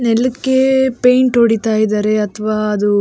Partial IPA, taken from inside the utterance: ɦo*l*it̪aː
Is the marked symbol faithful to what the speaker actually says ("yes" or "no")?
no